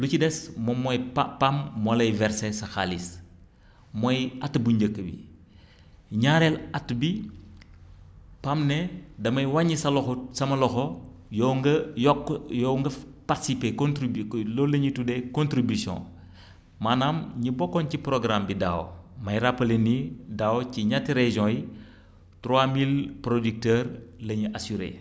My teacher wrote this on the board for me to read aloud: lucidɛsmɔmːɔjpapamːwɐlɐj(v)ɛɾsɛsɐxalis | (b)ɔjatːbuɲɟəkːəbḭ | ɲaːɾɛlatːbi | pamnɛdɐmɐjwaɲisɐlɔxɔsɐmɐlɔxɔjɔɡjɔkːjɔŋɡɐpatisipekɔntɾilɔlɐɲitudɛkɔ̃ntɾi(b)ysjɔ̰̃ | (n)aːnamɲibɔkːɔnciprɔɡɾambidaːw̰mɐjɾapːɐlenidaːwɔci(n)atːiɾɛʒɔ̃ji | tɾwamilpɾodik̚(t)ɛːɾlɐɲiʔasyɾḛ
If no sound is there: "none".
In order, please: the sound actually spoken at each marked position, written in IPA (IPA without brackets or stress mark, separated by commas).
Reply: v, m, b, m, ɲ, t